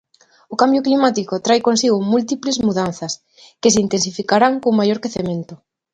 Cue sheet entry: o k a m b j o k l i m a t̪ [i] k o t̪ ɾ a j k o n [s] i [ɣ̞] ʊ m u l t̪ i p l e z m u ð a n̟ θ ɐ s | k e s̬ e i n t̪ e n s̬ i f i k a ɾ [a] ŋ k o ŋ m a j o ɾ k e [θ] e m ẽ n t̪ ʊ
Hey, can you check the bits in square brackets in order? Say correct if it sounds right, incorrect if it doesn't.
correct, correct, correct, correct, correct

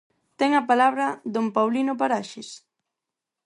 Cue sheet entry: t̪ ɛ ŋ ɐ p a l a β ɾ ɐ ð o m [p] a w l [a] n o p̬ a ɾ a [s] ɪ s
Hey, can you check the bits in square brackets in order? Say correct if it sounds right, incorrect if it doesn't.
correct, incorrect: i, incorrect: ʃ

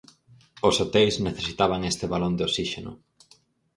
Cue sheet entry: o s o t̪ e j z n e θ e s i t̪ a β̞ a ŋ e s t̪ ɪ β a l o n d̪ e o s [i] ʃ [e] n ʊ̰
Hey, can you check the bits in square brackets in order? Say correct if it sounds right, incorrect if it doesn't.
correct, correct

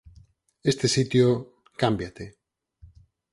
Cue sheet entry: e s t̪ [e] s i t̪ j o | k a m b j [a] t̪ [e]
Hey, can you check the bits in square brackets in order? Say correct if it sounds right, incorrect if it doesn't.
correct, correct, correct

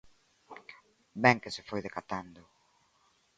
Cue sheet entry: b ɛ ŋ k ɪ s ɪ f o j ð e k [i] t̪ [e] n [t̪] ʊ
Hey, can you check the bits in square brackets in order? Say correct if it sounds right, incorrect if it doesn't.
incorrect: a, incorrect: a, incorrect: d̪

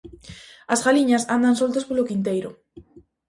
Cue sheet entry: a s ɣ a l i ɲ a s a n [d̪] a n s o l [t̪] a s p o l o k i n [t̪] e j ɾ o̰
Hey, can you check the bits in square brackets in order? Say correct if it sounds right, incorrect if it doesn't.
correct, correct, correct

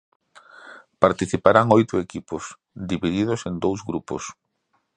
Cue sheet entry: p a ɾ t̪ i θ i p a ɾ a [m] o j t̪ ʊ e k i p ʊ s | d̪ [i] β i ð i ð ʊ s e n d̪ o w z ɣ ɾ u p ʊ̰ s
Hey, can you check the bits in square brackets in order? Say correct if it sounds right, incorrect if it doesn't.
incorrect: ŋ, correct

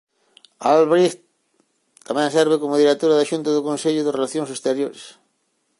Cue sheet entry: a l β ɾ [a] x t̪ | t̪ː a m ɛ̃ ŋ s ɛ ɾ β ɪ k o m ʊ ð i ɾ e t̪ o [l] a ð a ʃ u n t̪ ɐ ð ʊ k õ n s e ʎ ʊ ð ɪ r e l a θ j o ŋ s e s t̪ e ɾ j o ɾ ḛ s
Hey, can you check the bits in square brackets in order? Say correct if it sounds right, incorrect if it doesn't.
incorrect: i, incorrect: ɾ

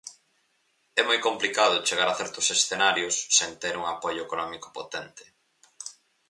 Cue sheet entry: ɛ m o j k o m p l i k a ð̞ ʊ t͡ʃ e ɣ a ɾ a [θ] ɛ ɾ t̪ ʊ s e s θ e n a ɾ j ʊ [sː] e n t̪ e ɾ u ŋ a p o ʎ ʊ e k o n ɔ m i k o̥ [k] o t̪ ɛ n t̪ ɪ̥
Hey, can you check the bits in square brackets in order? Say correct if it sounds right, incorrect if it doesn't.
correct, correct, incorrect: p

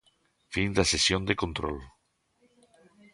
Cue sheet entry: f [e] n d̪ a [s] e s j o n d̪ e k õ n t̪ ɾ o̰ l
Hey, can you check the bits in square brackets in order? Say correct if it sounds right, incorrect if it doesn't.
incorrect: i, correct

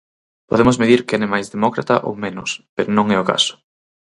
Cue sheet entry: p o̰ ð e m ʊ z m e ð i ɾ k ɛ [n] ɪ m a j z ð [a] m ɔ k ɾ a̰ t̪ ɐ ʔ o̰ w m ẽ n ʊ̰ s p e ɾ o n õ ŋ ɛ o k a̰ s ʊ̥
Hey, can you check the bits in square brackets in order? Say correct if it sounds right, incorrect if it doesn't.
correct, incorrect: e

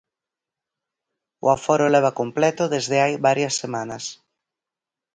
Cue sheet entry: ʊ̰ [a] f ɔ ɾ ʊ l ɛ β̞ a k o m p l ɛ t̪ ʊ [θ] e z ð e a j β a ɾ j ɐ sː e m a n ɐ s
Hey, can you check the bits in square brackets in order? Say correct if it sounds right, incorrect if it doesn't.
correct, incorrect: ð

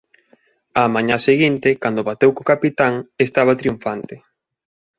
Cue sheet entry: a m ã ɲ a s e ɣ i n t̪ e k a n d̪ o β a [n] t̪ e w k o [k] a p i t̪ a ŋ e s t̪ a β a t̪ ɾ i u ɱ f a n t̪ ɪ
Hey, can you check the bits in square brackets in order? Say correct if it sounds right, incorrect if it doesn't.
incorrect: none, correct

